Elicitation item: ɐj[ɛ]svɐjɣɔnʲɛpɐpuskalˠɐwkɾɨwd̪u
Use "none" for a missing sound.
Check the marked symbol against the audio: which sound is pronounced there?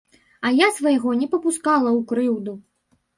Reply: a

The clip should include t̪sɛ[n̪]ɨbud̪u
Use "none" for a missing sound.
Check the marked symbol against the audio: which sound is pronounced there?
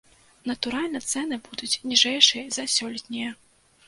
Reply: n̪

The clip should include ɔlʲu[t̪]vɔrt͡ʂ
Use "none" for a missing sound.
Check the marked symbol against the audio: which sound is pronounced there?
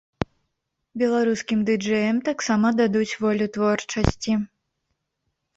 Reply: t̪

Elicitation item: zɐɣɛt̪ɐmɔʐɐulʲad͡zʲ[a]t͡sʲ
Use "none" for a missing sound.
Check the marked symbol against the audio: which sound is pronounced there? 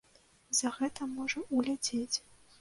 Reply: e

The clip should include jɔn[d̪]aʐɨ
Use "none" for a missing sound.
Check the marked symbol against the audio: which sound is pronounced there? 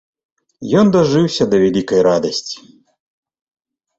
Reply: d̪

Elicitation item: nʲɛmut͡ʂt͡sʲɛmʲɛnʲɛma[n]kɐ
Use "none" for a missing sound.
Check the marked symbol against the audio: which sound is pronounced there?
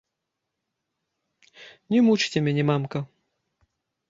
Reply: m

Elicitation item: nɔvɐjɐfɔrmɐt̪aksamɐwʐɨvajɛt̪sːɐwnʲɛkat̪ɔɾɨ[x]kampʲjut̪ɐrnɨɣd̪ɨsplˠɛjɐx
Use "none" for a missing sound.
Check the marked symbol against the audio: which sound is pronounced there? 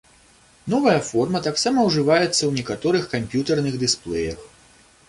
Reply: x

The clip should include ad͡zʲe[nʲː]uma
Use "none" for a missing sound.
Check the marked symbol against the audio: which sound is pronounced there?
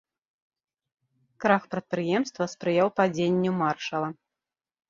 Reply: nʲː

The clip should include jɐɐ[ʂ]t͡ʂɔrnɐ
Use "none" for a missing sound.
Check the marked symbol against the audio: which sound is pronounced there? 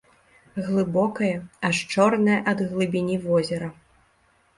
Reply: ʂ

